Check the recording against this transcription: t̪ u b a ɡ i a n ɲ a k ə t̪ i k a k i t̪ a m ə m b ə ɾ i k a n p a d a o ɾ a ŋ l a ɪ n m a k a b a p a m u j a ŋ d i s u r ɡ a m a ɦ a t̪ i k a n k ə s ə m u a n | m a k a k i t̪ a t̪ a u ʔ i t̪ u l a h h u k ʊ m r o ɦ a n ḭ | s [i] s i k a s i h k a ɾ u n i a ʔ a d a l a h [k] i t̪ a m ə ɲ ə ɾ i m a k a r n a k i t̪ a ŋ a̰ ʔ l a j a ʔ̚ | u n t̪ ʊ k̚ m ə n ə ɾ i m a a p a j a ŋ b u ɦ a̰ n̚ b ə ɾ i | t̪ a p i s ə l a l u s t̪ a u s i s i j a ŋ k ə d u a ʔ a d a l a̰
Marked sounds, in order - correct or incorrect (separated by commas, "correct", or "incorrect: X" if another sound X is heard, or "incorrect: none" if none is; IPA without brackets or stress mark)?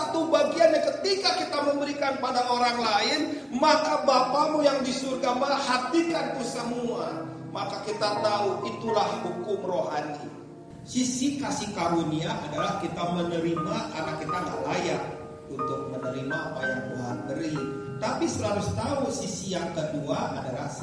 correct, correct